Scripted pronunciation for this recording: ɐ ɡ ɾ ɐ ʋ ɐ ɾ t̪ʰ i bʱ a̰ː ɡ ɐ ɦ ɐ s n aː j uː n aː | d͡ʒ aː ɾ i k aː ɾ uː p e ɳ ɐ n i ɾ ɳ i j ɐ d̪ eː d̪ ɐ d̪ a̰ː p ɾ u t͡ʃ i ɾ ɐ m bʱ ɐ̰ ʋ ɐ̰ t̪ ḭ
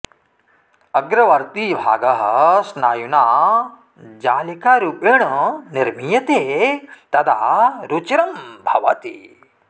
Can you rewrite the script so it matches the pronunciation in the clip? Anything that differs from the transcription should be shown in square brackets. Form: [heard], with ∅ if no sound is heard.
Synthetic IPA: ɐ ɡ ɾ ɐ ʋ ɐ ɾ [t̪] i bʱ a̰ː ɡ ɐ ɦ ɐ s n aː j [u] n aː | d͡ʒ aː [l] i k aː ɾ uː p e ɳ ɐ n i ɾ [m] i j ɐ [t̪] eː [t̪] ɐ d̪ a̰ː [∅] ɾ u t͡ʃ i ɾ ɐ m bʱ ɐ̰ ʋ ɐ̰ t̪ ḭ